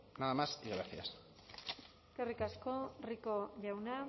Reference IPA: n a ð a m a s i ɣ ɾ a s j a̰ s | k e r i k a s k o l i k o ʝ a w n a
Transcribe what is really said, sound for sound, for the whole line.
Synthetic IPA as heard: n a ð a m a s i ɣ ɾ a θ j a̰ s | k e r i k a s k o r i k o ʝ a w n a